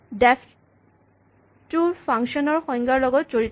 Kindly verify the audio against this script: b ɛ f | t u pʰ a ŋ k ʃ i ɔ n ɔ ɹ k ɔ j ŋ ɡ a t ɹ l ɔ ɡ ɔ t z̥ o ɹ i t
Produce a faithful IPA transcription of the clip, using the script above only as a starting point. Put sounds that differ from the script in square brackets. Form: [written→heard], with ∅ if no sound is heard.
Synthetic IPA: [b→d] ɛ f | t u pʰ a ŋ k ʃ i ɔ n ɔ ɹ [k→x] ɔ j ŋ ɡ a [t→∅] ɹ l ɔ ɡ ɔ t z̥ o ɹ i t